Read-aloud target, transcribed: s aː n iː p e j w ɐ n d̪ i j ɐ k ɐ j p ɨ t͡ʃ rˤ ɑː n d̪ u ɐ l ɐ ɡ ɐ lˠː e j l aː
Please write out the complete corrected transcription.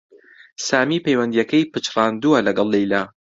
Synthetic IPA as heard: s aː m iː p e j w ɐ n d̪ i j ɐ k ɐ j p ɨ t͡ʃ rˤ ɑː n d̪ u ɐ l ɐ ɡ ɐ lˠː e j l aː

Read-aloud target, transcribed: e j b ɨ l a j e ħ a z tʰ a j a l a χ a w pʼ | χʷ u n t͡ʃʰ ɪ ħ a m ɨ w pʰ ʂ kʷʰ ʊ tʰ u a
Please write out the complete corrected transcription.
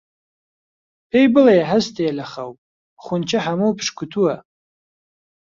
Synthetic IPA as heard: e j b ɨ l a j a ħ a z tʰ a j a l a χ a w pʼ | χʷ ʊ n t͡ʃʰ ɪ ħ a m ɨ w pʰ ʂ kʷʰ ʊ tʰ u a

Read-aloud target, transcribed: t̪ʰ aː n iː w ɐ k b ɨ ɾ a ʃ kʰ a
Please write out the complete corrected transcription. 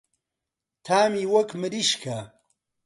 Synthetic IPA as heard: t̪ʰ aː m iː w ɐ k m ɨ ɾ i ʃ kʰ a

